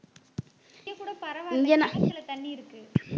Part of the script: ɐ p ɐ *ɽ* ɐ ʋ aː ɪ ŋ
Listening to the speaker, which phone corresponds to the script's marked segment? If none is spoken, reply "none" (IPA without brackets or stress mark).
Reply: ɾ